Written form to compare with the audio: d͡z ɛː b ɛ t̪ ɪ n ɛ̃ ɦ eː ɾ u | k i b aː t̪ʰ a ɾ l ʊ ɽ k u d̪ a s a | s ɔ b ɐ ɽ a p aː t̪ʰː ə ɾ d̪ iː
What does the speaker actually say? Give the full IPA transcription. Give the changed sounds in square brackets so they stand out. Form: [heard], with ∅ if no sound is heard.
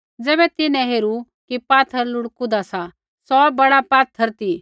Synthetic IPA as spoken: d͡z ɛː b ɛ t̪ ɪ n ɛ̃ ɦ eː ɾ u | k i [p] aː t̪ʰ [ə] ɾ l ʊ ɽ k u d̪ a s a | s ɔ b ɐ ɽ a p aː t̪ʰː ə ɾ [t̪] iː